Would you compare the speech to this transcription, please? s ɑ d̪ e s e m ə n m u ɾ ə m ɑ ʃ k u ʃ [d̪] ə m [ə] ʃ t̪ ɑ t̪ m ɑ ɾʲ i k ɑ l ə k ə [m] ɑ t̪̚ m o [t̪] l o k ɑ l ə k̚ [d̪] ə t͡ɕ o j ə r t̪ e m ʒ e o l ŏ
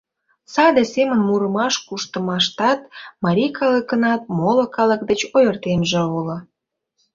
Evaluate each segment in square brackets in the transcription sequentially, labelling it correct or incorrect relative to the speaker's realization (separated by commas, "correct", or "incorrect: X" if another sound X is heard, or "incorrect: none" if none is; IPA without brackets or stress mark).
incorrect: t̪, incorrect: ɑ, incorrect: n, incorrect: none, correct